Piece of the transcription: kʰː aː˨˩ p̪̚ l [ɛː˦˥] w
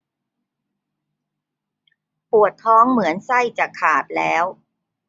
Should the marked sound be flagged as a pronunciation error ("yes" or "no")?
no